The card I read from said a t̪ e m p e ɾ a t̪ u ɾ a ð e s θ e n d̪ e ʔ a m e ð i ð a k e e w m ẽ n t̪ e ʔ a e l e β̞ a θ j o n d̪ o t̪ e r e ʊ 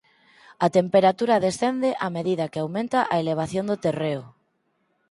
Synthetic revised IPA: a t̪ e m p e ɾ a t̪ u ɾ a ð e s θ e n d̪ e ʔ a m e ð i ð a k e a w m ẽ n t̪ a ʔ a e l e β̞ a θ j o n d̪ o t̪ e r e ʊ